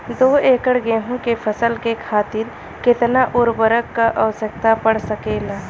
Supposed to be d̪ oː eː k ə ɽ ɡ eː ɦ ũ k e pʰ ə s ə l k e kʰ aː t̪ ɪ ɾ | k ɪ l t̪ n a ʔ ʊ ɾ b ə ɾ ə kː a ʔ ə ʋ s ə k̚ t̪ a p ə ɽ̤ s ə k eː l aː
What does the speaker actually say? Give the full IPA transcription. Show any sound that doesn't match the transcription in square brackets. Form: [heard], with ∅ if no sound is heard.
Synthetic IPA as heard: d̪ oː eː k ə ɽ ɡ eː ɦ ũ k e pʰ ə s ə l k e kʰ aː t̪ ɪ ɾ | k ɪ [∅] t̪ n a ʔ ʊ ɾ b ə ɾ ə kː a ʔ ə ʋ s ə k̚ t̪ a p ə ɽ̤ s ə k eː l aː